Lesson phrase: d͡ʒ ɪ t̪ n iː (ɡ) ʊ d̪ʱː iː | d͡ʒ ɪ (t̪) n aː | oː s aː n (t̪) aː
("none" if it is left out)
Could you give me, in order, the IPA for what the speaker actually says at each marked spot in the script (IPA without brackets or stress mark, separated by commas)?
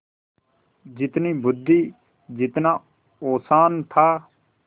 b, t̪, t̪ʰ